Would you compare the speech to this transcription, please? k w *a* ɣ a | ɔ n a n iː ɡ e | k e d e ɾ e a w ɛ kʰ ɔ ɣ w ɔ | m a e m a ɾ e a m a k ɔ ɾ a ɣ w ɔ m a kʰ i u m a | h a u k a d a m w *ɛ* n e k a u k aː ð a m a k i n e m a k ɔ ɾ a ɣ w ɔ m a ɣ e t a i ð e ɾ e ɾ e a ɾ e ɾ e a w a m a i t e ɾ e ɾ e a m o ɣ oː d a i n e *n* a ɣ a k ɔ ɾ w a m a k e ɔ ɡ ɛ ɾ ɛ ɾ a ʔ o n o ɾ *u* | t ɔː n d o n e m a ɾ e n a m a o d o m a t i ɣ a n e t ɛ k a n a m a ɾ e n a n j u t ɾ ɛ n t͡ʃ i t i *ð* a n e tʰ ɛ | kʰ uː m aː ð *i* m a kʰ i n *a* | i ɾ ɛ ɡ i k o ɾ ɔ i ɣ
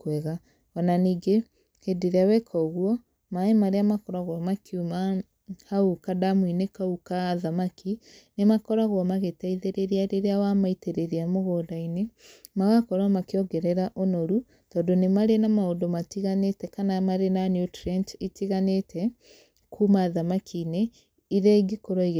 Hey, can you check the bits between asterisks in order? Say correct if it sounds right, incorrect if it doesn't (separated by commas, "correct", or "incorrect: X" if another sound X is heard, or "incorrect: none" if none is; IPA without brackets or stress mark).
incorrect: ɛ, incorrect: i, incorrect: m, correct, incorrect: ɣ, incorrect: a, incorrect: e